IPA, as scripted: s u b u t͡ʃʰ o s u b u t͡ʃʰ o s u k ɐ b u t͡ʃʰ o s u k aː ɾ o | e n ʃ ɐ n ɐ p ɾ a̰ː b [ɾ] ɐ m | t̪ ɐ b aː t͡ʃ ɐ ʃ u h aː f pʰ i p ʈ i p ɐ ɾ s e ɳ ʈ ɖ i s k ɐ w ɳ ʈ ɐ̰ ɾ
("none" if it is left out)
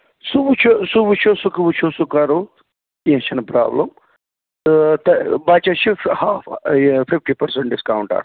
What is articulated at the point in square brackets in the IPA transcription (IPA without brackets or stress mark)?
l